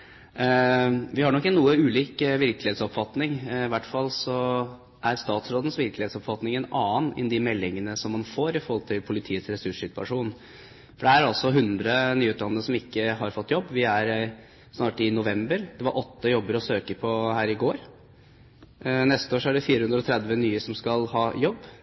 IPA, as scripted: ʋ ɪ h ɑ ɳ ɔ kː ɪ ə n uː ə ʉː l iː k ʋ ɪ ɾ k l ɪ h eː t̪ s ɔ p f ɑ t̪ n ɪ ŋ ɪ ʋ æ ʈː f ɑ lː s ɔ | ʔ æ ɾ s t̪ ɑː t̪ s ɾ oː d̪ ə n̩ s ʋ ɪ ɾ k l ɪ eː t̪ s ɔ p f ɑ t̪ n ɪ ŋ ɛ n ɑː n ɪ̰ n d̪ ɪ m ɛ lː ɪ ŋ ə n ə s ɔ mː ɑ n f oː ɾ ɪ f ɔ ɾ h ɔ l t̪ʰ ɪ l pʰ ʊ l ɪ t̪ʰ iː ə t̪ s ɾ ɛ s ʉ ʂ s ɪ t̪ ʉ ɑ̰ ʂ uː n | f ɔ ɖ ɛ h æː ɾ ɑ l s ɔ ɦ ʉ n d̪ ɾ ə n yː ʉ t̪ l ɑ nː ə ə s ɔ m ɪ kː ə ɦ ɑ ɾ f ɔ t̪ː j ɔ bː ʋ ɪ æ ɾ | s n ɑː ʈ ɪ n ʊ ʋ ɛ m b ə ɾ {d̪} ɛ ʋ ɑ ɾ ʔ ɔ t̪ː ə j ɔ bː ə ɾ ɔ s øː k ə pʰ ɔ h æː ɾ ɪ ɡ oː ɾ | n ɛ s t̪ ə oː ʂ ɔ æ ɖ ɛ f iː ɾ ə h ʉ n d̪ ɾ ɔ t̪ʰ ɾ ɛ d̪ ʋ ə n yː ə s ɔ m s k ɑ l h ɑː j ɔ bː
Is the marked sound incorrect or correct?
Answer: correct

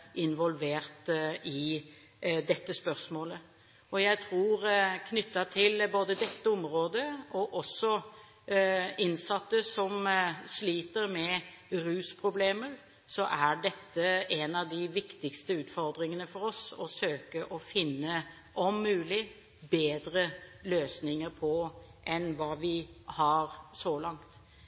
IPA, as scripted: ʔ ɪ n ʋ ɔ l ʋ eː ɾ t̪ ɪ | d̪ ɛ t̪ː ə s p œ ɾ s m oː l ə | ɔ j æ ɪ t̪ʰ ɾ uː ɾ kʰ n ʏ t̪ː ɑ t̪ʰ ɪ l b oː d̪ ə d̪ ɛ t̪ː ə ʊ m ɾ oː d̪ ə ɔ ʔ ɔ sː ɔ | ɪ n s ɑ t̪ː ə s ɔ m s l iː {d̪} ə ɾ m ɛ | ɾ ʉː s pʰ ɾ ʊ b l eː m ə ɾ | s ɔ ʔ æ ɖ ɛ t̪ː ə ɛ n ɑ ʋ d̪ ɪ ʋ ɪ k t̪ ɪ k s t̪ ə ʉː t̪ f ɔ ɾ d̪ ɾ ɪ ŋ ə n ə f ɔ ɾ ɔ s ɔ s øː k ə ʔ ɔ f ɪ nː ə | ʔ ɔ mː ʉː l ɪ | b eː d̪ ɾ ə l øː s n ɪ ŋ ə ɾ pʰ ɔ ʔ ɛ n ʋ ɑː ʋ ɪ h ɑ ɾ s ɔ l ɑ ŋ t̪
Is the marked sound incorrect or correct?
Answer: incorrect: t̪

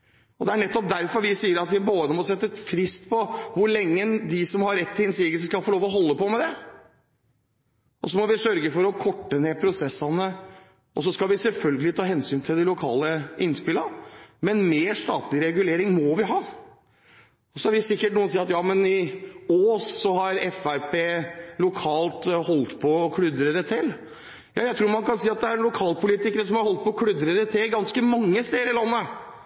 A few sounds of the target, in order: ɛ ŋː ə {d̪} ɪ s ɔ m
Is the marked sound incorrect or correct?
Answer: correct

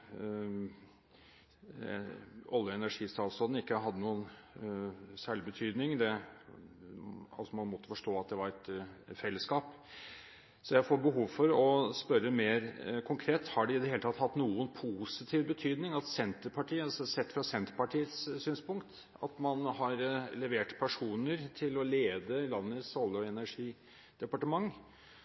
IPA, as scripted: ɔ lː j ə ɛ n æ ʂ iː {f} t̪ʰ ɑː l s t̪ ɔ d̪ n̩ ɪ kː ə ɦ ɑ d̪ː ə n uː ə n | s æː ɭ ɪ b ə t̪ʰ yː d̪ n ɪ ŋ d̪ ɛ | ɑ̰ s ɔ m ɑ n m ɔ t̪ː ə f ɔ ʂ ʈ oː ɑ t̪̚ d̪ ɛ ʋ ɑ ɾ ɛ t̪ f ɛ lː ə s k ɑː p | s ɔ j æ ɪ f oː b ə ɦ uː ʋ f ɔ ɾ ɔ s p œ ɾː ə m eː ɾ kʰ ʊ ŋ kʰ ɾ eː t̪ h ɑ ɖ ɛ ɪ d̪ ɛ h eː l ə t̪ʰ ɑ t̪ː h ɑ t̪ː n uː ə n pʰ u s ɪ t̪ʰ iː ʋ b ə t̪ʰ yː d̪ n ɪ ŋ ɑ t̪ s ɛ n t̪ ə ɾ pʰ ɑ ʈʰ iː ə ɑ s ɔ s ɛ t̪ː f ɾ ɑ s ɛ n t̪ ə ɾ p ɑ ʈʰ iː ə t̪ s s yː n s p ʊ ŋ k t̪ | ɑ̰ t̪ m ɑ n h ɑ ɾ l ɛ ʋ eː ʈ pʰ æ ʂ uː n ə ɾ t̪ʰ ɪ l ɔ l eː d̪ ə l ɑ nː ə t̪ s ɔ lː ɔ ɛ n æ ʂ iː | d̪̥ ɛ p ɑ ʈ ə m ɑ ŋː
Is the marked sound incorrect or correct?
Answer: incorrect: s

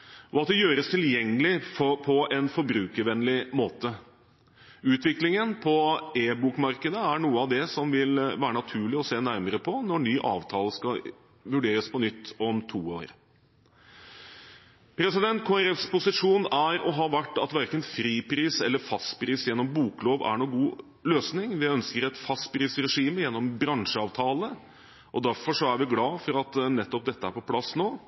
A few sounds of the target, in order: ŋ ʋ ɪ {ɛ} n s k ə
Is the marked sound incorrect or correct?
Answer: incorrect: œ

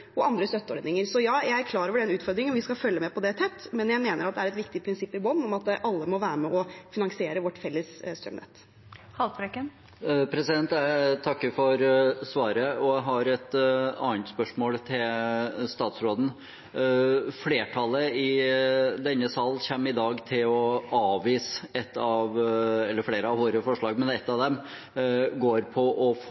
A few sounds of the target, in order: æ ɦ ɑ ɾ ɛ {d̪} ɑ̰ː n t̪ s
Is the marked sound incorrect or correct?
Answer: incorrect: t̪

